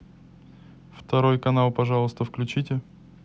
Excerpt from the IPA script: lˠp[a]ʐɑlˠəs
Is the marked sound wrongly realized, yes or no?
yes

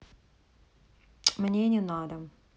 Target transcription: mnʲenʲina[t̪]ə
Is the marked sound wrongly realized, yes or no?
yes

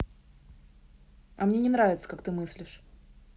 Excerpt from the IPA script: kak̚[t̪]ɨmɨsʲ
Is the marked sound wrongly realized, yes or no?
no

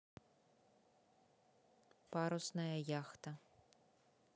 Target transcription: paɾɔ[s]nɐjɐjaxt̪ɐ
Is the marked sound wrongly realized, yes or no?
no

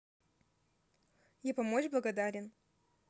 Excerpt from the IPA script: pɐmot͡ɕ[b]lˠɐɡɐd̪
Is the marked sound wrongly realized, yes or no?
no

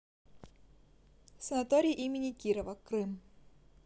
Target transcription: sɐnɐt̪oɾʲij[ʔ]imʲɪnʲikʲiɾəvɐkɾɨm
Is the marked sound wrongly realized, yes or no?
no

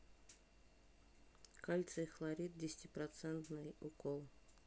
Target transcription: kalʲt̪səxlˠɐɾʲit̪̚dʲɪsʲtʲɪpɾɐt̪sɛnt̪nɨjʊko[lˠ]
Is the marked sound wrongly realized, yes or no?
no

